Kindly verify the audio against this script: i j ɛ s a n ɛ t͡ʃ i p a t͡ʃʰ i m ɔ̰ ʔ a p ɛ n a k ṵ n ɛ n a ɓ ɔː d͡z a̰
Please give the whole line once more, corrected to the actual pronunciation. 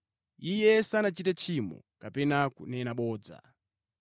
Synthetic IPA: i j ɛ s a n a t͡ʃ i t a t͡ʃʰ i m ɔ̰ k a p ɛ n a k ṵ n ɛ n a ɓ ɔː d͡z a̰